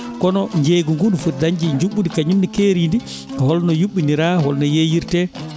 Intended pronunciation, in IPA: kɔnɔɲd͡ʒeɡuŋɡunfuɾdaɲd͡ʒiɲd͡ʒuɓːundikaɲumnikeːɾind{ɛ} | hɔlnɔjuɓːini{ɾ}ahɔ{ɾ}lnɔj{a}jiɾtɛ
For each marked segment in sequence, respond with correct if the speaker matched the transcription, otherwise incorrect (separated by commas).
incorrect, correct, incorrect, incorrect